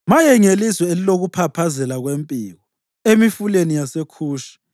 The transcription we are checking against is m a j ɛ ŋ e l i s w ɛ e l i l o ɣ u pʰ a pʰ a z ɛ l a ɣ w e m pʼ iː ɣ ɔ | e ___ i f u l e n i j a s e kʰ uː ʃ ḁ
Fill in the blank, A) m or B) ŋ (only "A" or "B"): A